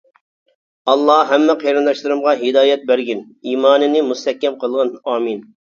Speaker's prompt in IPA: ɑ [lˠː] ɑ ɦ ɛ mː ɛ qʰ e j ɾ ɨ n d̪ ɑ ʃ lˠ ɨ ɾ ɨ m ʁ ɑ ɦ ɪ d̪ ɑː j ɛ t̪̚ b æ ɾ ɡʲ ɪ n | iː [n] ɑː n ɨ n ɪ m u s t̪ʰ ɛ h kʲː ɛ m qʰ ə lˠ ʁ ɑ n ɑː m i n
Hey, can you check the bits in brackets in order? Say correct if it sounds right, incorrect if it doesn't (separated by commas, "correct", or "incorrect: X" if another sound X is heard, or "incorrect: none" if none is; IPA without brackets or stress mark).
correct, incorrect: m